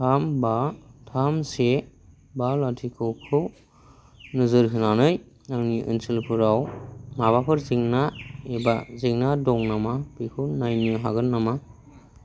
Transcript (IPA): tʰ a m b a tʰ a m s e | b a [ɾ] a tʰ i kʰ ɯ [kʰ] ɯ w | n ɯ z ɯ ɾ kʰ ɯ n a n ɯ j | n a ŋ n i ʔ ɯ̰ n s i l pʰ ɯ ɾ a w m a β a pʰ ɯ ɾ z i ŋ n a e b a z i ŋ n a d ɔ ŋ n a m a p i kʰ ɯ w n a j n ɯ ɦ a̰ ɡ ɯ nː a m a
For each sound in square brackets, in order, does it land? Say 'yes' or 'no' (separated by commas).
no, yes